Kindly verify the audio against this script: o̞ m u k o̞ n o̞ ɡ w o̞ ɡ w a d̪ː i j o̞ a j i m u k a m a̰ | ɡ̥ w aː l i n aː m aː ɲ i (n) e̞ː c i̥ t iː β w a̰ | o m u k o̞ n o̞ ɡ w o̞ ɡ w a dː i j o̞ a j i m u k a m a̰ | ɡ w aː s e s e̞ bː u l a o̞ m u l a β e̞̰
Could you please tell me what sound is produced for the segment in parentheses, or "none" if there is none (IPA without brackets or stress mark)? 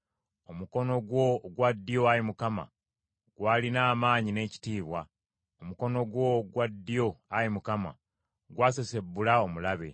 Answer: n